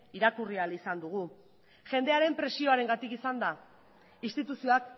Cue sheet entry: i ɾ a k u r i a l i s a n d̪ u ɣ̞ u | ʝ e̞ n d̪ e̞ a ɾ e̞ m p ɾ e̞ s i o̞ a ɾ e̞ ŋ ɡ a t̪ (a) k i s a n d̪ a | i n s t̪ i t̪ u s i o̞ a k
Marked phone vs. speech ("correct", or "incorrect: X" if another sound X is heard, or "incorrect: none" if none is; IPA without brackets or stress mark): incorrect: i